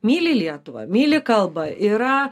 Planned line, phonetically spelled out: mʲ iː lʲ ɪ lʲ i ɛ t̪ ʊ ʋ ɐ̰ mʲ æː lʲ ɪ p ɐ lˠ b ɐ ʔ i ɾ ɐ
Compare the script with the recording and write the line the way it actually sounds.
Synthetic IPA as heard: mʲ iː lʲ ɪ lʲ i ɛ t̪ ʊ ʋ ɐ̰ mʲ iː lʲ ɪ k ɐ lˠ b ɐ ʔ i ɾ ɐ